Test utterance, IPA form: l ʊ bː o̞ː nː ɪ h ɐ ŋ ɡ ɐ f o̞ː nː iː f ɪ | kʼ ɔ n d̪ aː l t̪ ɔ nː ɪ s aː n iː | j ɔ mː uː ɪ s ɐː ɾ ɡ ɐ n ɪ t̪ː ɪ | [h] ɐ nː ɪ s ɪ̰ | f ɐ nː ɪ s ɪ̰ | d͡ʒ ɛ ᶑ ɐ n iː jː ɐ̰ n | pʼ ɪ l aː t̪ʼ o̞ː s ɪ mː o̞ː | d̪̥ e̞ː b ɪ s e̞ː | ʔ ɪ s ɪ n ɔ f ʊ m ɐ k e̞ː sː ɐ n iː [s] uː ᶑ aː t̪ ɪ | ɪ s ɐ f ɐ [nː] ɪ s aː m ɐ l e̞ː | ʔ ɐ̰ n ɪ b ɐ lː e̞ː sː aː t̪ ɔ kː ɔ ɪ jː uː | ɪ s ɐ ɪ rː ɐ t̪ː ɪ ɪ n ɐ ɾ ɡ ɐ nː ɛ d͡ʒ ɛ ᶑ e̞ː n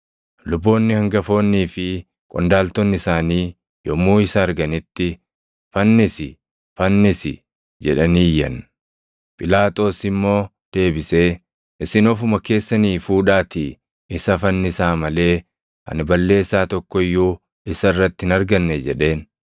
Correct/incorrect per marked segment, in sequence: incorrect: f, incorrect: f, correct

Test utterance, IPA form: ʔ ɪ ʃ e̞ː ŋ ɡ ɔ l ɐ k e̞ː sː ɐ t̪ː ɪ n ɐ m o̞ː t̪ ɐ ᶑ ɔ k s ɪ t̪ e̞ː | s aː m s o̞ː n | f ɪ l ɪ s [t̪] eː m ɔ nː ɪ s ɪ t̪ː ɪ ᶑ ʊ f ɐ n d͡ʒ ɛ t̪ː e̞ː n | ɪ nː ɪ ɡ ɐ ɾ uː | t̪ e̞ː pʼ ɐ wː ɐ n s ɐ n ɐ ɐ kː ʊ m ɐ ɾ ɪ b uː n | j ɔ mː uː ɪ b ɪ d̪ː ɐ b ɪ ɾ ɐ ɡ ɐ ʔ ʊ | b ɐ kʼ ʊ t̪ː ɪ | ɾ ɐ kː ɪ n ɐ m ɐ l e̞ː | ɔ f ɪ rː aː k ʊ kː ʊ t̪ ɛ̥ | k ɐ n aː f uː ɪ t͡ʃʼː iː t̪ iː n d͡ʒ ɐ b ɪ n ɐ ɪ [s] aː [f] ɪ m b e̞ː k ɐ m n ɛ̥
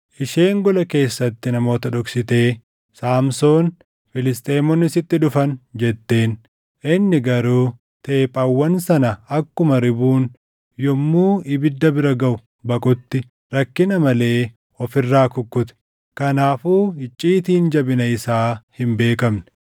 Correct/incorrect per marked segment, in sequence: incorrect: t̪ʼ, correct, incorrect: h

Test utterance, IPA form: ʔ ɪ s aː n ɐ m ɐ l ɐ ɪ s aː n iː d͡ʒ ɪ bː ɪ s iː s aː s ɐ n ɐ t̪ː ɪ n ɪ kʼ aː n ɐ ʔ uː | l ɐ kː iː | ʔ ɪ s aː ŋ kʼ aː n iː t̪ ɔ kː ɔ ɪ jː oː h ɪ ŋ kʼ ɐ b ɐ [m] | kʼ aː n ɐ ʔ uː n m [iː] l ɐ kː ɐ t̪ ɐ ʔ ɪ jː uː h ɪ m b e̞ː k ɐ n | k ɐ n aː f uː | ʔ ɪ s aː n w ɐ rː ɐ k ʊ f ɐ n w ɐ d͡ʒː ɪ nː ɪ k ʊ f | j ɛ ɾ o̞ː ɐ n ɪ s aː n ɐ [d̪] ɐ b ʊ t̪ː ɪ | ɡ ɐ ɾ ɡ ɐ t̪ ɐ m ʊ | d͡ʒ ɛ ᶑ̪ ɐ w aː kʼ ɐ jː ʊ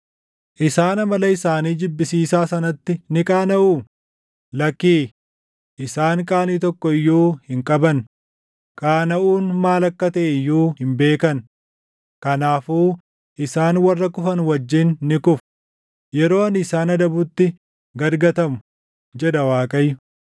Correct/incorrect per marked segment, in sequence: incorrect: n, incorrect: aː, correct

